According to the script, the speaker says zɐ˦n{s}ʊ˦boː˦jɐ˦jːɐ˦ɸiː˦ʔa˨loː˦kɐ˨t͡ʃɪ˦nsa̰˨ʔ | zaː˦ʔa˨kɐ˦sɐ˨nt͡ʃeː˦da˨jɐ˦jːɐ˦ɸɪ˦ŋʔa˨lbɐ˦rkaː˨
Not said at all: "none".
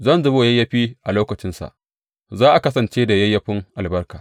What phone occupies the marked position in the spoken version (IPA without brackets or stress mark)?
z